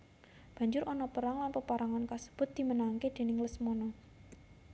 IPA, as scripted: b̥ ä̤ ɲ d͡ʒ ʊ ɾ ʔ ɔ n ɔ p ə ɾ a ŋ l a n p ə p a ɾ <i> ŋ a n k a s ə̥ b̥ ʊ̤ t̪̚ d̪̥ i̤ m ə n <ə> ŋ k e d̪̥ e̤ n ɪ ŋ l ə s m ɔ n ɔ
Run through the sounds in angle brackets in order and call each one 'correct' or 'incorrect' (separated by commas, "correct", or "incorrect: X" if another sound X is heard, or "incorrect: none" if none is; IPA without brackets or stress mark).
incorrect: a, incorrect: a